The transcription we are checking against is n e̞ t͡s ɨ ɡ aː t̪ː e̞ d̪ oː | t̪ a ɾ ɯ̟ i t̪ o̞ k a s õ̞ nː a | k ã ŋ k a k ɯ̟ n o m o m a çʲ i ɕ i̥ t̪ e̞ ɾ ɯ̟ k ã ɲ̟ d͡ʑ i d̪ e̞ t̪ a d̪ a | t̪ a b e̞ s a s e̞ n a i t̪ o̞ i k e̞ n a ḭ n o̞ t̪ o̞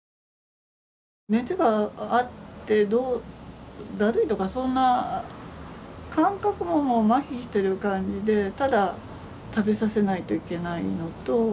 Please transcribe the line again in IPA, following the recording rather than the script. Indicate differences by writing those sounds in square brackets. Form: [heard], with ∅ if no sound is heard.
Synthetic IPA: n e̞ t͡s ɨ ɡ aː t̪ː e̞ d̪ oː | [d̪] a ɾ ɯ̟ i t̪ o̞ k a s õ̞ nː a | k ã ŋ k a k ɯ̟ [m] o m o m a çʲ i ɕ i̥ t̪ e̞ ɾ ɯ̟ k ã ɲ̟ d͡ʑ i d̪ e̞ t̪ a d̪ a | t̪ a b e̞ s a s e̞ n a i t̪ o̞ i k e̞ n a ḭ n o̞ t̪ o̞